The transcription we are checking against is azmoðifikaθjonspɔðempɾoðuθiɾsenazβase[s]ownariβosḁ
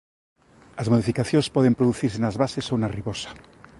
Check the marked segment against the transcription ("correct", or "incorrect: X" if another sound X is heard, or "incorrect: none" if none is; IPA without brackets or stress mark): correct